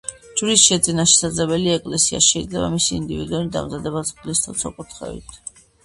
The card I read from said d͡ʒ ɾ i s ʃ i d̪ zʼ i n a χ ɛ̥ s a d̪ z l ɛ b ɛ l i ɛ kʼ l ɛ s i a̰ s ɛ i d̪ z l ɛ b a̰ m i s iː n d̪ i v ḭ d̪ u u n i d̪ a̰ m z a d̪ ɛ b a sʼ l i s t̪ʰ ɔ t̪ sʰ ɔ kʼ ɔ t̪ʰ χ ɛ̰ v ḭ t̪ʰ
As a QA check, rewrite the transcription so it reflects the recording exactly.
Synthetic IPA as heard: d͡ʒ ɾ i s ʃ ɛ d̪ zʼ i n a ʃ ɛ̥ s a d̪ z l ɛ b ɛ l i ɛ kʼ l ɛ s i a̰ ʃ ɛ i d̪ z l ɛ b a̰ m i s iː n d̪ i v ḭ d̪ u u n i d̪ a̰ m z a d̪ ɛ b a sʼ l i s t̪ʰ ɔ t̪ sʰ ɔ kʼ u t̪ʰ χ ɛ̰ v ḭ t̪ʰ